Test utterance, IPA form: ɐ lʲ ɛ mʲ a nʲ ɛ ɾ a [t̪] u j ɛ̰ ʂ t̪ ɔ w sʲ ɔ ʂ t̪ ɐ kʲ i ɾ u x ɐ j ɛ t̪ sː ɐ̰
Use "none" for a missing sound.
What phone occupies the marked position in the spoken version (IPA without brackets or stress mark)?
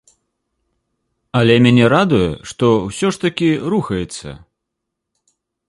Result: d̪